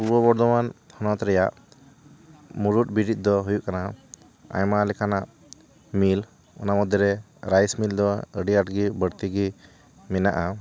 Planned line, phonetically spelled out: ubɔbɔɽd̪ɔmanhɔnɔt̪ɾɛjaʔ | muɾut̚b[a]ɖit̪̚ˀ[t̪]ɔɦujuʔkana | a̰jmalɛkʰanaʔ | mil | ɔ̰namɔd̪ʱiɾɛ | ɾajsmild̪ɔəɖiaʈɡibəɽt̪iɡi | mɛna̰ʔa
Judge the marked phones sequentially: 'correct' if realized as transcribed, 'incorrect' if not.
incorrect: i, incorrect: d̪

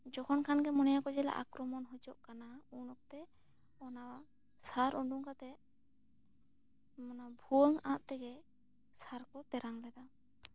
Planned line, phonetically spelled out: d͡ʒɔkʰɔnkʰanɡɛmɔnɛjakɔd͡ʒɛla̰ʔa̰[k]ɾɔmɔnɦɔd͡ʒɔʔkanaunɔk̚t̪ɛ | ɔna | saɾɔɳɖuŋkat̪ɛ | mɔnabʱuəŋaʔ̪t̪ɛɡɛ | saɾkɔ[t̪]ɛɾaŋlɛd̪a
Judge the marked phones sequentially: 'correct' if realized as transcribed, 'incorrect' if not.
correct, correct

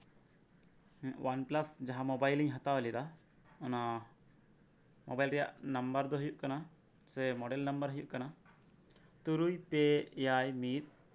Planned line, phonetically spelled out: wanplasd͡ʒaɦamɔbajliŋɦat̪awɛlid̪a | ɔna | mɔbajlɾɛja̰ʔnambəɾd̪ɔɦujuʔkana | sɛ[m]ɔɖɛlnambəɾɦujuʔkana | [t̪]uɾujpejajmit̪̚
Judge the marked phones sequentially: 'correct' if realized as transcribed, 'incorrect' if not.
correct, correct

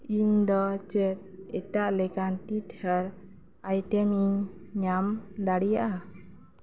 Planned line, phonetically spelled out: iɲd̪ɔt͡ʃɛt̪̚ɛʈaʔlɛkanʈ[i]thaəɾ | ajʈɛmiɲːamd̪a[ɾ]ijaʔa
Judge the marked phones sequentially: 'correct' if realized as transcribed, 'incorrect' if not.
correct, incorrect: ɽ

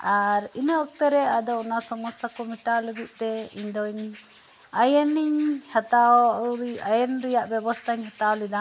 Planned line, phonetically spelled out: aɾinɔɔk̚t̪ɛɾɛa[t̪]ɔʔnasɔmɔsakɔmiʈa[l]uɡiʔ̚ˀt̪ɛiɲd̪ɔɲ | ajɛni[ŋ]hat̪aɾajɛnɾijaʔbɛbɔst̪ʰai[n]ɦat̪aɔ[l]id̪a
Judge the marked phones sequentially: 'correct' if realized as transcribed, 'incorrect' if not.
incorrect: d̪, correct, incorrect: ɲ, incorrect: ɲ, correct

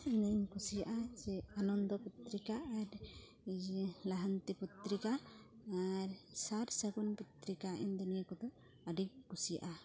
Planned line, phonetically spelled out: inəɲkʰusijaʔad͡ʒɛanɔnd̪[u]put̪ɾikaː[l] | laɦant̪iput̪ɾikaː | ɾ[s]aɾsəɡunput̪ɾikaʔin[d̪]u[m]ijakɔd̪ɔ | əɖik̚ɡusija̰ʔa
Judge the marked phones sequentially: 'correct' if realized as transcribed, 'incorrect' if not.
incorrect: ɔ, incorrect: ɾ, correct, correct, incorrect: n

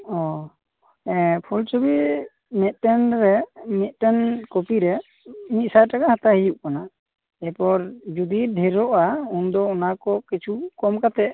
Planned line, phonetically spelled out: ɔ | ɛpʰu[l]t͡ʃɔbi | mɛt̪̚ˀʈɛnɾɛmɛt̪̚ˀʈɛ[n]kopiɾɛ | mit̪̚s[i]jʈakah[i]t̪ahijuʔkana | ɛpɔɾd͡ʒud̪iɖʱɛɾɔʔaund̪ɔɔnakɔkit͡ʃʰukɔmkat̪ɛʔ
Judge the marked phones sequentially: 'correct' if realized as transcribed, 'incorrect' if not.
correct, correct, incorrect: a, incorrect: a

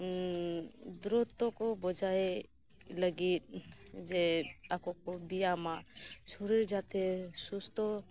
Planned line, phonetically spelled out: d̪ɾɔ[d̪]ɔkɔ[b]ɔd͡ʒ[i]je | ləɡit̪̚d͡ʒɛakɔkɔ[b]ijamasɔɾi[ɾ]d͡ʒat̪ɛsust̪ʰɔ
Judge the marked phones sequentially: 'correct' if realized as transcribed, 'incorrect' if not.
incorrect: t̪, correct, incorrect: a, correct, correct

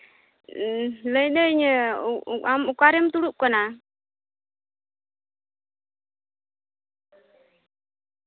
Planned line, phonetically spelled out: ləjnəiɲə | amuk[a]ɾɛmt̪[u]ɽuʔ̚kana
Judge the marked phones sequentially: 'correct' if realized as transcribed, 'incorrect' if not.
correct, correct

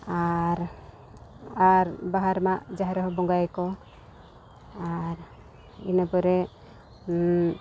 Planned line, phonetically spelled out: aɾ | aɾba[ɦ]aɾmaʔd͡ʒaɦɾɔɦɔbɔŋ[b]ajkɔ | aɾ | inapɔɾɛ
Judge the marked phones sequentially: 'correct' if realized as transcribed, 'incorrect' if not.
correct, incorrect: ɡ

